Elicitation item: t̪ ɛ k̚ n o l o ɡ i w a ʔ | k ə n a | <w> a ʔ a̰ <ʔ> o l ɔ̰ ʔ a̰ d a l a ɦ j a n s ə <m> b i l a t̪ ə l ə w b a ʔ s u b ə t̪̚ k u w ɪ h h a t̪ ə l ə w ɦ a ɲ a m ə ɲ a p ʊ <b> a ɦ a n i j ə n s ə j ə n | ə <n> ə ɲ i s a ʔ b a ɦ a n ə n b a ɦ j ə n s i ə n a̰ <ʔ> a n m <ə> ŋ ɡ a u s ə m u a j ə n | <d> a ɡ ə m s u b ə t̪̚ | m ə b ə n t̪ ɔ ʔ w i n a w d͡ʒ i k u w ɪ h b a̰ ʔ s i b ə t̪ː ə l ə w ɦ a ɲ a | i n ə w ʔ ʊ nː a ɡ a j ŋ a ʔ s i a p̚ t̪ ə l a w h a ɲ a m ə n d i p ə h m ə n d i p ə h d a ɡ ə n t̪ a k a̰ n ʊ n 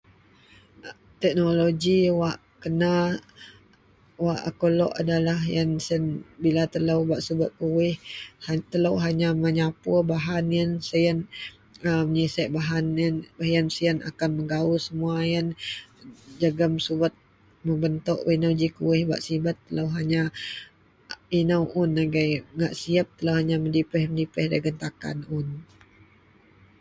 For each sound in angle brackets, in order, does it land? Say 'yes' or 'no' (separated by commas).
yes, no, no, yes, no, no, yes, no